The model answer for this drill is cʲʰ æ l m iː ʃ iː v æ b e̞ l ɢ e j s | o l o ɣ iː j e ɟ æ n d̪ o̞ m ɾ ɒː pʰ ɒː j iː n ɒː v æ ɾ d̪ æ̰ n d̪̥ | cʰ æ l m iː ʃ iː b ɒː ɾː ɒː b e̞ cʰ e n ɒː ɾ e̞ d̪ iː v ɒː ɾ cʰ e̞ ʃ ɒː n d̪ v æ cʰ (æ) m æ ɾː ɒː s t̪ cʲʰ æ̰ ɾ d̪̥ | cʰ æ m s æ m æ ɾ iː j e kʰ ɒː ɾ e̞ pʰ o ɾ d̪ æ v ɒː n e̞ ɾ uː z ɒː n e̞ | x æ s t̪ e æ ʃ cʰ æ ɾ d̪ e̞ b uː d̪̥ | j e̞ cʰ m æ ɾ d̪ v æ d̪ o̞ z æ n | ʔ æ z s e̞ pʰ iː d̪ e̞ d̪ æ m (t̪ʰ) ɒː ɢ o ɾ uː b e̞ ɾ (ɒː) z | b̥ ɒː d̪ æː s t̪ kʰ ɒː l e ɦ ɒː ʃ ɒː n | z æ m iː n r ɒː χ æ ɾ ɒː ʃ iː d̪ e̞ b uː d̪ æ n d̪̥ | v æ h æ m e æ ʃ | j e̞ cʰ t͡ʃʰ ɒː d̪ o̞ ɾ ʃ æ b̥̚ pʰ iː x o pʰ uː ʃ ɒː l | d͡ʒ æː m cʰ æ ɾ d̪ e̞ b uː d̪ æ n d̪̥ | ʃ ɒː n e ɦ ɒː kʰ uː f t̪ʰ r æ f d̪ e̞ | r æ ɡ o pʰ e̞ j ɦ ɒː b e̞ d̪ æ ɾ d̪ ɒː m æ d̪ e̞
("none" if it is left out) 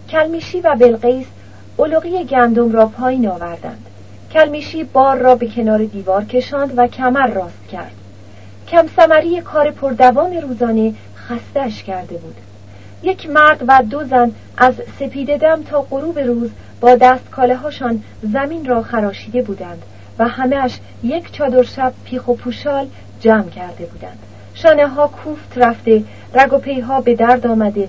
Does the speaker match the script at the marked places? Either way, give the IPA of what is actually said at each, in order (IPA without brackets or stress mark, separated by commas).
æ, t̪ʰ, uː